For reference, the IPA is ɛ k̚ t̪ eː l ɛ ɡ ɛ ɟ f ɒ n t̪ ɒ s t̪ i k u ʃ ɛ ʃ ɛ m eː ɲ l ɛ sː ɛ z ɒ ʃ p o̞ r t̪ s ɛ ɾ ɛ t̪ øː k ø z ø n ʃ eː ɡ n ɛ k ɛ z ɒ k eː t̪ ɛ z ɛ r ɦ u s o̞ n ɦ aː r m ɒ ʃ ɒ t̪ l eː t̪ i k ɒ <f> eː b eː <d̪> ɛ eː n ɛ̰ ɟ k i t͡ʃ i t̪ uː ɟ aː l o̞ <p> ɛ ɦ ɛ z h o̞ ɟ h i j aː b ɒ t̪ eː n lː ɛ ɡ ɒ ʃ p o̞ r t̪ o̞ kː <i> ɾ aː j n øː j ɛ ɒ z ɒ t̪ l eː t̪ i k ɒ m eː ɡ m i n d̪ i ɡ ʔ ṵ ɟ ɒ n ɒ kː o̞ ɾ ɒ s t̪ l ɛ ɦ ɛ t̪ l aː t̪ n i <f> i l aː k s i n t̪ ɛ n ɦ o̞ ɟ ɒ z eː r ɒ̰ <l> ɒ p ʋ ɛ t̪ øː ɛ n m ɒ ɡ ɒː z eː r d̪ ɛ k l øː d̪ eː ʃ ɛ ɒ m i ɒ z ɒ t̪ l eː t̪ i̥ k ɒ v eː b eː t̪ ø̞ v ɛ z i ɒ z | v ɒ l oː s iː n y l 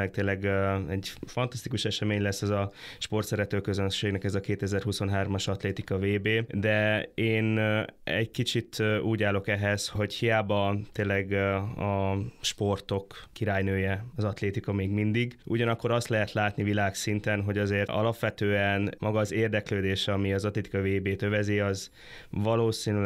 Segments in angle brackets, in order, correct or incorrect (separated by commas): incorrect, correct, incorrect, correct, incorrect, correct